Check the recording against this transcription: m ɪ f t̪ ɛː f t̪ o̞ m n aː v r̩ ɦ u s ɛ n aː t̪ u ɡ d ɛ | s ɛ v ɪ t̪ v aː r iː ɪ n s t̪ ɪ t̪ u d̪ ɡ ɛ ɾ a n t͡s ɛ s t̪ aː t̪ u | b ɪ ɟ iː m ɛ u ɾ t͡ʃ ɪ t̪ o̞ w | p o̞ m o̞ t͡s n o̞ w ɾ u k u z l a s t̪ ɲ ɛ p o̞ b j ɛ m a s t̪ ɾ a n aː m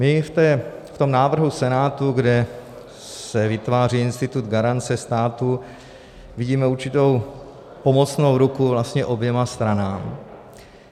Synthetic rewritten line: m ɪ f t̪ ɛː f t̪ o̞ m n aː v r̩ ɦ u s ɛ n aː t̪ u ɡ d ɛ | s ɛ v ɪ t̪ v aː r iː ɪ n s t̪ ɪ t̪ u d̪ ɡ a ɾ a n t͡s ɛ s t̪ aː t̪ u | v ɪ ɟ iː m ɛ u ɾ t͡ʃ ɪ t̪ o̞ w | p o̞ m o̞ t͡s n o̞ w ɾ u k u v l a s t̪ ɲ ɛ ʔ o̞ b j ɛ m a s t̪ ɾ a n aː m